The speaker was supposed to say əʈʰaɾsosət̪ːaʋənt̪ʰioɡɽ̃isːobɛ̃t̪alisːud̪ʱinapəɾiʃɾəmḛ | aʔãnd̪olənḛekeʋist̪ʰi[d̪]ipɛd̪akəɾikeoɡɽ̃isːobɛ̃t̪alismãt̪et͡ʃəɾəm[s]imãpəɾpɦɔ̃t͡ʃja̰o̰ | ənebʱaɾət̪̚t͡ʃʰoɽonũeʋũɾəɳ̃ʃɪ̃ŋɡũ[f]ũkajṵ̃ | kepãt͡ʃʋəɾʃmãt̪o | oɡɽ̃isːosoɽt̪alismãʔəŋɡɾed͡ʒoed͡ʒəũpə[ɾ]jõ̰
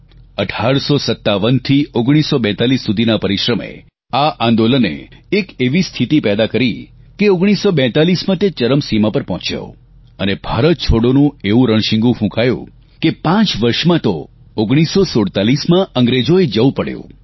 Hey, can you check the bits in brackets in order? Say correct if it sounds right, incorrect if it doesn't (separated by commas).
incorrect, correct, correct, incorrect